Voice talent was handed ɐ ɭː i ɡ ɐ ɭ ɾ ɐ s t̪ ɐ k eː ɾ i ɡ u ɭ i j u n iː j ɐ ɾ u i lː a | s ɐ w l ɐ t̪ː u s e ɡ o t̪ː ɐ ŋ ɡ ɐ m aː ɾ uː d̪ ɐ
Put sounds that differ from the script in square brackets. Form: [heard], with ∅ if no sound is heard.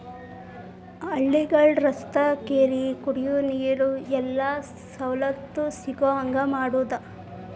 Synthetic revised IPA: ɐ ɭː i ɡ ɐ ɭ ɾ ɐ s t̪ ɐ k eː ɾ i [k] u [ɽ] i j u n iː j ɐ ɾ u [ɛ] lː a | s ɐ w l ɐ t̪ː u s [i] ɡ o [∅] ɐ ŋ ɡ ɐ m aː [ɽ] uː d̪ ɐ